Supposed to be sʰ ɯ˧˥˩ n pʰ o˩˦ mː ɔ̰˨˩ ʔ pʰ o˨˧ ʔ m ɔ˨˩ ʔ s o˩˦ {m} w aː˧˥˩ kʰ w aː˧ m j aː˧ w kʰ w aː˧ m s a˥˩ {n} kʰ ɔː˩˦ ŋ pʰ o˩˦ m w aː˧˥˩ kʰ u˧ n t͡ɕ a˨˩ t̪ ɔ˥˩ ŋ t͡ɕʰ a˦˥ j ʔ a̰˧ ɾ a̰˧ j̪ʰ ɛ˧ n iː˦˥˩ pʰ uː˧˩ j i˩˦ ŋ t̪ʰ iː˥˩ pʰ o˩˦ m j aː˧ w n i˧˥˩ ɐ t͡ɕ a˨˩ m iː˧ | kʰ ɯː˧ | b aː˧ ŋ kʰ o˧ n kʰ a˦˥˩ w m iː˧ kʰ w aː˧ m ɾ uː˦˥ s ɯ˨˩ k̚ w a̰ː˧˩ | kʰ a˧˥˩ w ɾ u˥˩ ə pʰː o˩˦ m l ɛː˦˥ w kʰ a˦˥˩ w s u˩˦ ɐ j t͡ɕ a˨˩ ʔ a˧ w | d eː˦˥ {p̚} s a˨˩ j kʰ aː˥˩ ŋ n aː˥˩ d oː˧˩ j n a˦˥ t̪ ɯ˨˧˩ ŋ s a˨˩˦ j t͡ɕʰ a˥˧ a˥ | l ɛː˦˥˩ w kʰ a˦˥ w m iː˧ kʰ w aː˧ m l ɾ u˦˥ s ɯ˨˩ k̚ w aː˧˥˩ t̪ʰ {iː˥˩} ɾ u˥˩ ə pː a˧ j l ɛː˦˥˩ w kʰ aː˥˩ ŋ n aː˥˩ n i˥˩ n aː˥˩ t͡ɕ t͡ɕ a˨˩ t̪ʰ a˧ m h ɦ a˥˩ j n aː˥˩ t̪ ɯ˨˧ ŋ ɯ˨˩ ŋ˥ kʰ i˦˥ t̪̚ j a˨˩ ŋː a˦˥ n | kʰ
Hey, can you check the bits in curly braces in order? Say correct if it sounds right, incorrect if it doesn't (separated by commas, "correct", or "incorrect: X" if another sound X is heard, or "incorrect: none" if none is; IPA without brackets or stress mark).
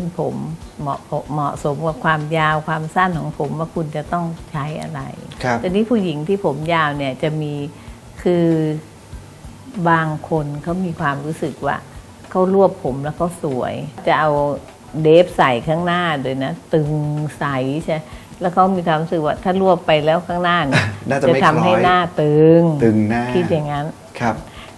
correct, correct, correct, incorrect: aː˥˩